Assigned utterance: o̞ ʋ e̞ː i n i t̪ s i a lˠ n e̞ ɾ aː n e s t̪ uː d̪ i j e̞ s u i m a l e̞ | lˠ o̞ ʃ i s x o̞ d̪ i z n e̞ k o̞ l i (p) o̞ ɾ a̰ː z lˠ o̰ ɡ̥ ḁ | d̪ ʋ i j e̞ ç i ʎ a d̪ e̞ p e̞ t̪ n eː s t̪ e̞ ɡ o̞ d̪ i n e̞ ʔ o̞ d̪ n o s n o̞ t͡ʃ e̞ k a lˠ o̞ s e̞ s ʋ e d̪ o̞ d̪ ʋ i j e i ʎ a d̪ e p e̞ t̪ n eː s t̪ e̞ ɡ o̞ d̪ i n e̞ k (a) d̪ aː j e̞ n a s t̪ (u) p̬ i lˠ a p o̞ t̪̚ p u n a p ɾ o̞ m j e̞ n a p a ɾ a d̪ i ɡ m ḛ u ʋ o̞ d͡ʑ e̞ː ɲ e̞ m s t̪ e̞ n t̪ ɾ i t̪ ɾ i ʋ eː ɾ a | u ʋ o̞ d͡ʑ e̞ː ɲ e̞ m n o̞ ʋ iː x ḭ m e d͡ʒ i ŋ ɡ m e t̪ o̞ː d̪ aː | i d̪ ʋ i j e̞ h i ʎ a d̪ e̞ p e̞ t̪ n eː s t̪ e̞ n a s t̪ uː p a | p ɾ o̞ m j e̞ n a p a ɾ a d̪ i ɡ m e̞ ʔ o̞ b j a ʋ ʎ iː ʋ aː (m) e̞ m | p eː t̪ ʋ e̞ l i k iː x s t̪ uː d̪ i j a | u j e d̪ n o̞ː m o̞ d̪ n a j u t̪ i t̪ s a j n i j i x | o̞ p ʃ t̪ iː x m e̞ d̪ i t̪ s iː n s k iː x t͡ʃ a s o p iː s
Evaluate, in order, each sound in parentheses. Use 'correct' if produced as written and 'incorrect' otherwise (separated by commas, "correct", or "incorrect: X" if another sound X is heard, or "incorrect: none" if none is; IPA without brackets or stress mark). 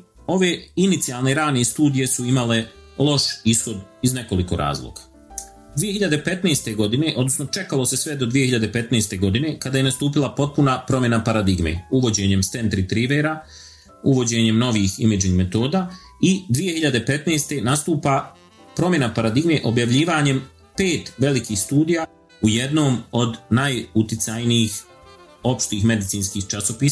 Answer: incorrect: k, correct, incorrect: uː, incorrect: ɲ